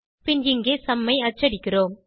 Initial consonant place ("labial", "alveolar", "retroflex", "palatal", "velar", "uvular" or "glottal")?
labial